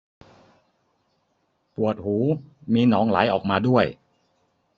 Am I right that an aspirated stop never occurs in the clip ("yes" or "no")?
yes